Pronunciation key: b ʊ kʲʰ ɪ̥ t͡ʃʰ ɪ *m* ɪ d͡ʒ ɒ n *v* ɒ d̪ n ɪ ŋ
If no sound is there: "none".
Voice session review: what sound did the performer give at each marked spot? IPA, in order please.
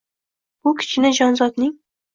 n, z

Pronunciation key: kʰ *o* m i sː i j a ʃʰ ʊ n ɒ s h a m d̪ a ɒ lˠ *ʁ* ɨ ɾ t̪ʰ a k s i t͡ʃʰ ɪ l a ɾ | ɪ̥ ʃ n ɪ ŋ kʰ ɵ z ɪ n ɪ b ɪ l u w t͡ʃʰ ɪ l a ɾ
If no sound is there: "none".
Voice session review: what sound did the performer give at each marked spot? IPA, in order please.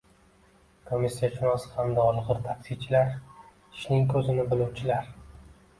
o, ʁ

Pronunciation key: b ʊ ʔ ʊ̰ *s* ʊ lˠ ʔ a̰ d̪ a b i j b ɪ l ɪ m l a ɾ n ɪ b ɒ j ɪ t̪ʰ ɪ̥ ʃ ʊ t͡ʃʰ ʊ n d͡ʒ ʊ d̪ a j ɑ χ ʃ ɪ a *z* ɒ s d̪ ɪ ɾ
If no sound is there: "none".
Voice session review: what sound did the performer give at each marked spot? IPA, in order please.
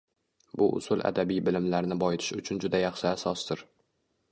s, s

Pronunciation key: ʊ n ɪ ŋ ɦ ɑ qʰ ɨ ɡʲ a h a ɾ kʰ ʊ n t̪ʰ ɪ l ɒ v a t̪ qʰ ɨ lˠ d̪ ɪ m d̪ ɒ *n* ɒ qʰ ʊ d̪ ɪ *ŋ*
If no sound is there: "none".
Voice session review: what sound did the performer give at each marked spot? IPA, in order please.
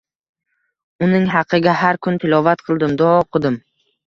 none, m

